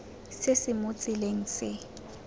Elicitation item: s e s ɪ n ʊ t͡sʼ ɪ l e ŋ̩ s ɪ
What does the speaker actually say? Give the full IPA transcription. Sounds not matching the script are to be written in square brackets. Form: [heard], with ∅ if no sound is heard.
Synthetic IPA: s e s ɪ [m] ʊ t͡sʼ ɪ l e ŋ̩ s ɪ